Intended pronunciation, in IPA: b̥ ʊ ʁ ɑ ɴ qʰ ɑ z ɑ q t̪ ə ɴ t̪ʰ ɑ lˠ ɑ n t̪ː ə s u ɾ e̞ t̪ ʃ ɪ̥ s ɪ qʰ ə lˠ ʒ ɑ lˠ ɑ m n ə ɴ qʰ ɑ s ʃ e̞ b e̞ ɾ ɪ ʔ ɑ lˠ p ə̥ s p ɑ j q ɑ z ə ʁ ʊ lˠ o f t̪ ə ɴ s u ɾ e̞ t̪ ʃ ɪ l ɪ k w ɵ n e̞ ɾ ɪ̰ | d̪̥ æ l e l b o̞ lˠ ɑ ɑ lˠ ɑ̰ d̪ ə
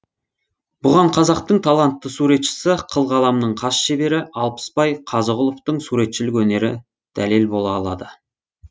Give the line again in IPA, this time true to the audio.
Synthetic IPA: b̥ ʊ ʁ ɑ ɴ qʰ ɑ z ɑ q t̪ ə ɴ t̪ʰ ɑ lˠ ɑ n t̪ː ə s u ɾ e̞ t̪ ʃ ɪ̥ s ɪ qʰ ə lˠ ʁ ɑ lˠ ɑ m n ə ɴ qʰ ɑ s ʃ e̞ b e̞ ɾ ɪ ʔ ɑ lˠ p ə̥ s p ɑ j qʰ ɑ z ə ʁ ʊ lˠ o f t̪ ə ɴ s u ɾ e̞ t̪ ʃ ɪ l ɪ k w ɵ n e̞ ɾ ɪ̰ | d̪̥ æ l e l b o̞ lˠ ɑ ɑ lˠ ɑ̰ d̪ ə

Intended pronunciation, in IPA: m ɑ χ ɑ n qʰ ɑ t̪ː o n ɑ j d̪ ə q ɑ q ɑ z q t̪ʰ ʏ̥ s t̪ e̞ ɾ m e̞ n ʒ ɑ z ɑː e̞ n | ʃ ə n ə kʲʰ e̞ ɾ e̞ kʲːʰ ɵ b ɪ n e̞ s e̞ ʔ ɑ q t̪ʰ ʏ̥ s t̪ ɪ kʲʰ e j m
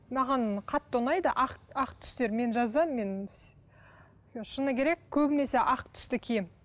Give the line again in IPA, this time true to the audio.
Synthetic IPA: m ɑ ʁ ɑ n qʰ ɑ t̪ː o n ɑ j d̪ ə ʔ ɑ q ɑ q t̪ʰ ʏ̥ s t̪ e̞ ɾ m e̞ n ʒ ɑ z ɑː e̞ n | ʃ ə n ə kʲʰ e̞ ɾ e̞ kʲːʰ ɵ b ɪ n e̞ s e̞ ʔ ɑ q t̪ʰ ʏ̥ s t̪ ɪ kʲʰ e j m

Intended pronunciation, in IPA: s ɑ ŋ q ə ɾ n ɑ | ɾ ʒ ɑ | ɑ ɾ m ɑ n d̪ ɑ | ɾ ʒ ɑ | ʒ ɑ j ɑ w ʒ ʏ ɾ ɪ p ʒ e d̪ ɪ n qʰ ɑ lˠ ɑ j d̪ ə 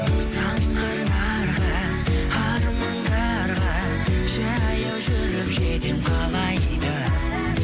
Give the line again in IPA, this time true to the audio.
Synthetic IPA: s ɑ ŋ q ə ɾ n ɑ | ɾ ʁ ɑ | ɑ ɾ m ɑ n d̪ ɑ | ɾ ʁ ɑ | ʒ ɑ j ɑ w ʒ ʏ ɾ ɪ p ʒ e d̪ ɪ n qʰ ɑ lˠ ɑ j d̪ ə

